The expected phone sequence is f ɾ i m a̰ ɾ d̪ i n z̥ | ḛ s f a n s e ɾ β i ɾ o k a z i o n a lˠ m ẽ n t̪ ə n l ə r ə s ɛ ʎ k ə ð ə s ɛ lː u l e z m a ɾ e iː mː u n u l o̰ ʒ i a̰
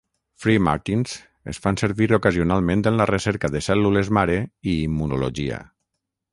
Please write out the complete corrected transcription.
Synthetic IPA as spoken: f ɾ i m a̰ ɾ t̪ i n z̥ | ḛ s f a n s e ɾ β i ɾ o k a z i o n a lˠ m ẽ n t̪ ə n l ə r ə s ɛ ɾ k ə ð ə s ɛ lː u l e z m a ɾ e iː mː u n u l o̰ ʒ i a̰